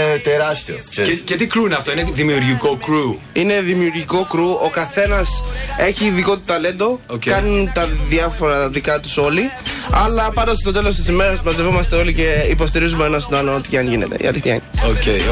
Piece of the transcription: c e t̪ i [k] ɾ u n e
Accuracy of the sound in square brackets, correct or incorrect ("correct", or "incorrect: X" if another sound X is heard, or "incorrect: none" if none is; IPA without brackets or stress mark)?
correct